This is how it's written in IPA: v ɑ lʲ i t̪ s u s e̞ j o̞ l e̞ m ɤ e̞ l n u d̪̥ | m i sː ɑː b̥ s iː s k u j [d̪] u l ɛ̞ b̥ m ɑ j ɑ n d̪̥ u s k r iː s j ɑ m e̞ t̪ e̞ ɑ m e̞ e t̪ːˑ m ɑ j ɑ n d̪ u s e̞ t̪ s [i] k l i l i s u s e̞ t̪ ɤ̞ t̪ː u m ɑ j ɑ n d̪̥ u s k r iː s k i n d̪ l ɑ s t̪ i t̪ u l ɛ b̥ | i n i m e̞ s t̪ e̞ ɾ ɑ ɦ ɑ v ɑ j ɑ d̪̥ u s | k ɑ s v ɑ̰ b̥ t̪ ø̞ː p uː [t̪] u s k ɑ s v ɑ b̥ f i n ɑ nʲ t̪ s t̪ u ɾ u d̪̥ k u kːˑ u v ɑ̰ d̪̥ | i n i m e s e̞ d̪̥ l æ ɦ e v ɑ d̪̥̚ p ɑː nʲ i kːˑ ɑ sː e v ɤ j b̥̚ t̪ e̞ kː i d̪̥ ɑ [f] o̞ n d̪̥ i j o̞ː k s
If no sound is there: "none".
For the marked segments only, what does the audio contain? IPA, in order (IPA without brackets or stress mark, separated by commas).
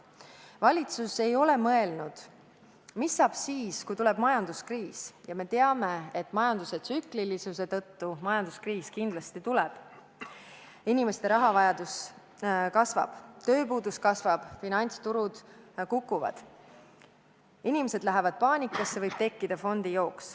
t̪, y, d̪, f